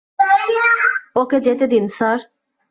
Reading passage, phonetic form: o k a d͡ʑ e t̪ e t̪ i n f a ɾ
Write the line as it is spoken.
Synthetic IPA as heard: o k e d͡ʑ e t̪ e d̪ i n s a ɾ